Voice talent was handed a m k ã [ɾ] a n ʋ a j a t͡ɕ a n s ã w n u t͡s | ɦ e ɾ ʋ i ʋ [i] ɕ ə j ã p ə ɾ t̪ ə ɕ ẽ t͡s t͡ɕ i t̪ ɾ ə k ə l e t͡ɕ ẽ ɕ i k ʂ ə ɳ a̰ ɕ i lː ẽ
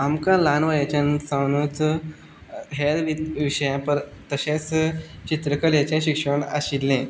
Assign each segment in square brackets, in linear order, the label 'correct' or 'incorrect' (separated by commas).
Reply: incorrect, correct